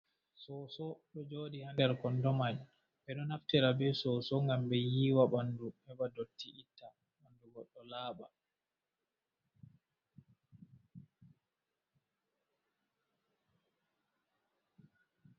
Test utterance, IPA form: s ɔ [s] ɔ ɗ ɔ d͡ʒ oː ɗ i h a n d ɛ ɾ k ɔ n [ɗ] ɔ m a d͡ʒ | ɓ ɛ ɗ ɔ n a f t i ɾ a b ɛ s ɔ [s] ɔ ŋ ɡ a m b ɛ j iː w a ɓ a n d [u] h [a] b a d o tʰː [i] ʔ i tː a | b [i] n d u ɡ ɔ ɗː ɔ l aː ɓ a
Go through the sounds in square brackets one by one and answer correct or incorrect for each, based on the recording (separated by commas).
correct, incorrect, correct, correct, incorrect, correct, incorrect